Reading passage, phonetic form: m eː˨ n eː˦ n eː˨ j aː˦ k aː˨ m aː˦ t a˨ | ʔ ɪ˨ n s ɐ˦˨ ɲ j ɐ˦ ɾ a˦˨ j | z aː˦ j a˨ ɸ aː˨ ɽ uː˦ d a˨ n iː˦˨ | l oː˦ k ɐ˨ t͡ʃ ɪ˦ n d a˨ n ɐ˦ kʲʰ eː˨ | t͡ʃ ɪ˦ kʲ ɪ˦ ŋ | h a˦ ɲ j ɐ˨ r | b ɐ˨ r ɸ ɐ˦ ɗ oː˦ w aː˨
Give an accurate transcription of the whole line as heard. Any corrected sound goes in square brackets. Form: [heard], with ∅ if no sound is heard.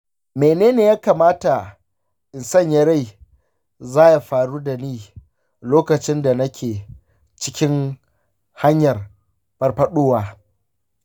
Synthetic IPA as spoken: m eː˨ n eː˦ n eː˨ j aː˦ k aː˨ m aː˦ t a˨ | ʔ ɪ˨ n s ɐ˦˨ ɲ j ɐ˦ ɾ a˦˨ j | z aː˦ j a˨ ɸ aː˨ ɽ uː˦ d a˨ n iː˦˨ | l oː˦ k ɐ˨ t͡ʃ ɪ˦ n d a˨ n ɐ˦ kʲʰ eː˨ | t͡ʃ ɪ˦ kʲ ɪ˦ ŋ | h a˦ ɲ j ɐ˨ r | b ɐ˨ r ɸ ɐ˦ ɗ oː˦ w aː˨